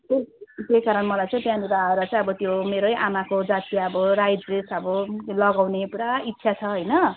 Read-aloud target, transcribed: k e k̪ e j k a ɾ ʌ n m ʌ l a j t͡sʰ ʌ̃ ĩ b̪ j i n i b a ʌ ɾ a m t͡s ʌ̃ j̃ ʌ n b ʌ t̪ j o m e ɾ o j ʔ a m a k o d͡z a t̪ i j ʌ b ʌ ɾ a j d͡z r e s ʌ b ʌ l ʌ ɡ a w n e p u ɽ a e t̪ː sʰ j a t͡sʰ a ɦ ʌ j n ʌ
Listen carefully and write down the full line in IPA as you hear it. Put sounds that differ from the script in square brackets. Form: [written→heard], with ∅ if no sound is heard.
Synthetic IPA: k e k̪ e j k a ɾ ʌ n m ʌ l a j [t͡sʰ→t͡s] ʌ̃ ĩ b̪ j [i→a] n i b a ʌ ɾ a [m→∅] t͡s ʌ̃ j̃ ʌ [n→∅] b ʌ t̪ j o m e ɾ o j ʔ a m a k o d͡z a t̪ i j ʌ b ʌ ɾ a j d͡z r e s ʌ b ʌ l ʌ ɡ a w n e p u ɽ a [e→i] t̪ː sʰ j a t͡sʰ [a→ʌ] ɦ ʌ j n ʌ